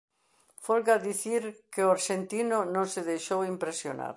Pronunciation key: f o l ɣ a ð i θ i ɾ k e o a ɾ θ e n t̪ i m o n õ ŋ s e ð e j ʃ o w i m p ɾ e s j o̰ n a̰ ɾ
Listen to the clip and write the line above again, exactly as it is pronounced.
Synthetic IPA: f o l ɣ a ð i θ i ɾ k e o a ɾ ʃ e n t̪ i n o n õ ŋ s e ð e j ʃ o w i m p ɾ e s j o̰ n a̰ ɾ